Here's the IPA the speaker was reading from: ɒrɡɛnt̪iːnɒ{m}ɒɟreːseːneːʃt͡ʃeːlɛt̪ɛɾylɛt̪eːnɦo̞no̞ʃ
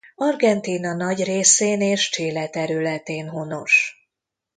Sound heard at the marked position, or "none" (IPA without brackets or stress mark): n